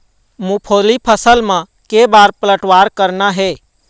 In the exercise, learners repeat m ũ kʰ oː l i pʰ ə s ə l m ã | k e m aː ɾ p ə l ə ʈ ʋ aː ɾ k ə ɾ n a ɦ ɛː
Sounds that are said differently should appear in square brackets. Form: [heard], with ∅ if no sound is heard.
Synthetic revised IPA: m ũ [pʰ] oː l i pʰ ə s ə l m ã | k e [b] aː ɾ p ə l ə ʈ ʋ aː ɾ k ə ɾ n a ɦ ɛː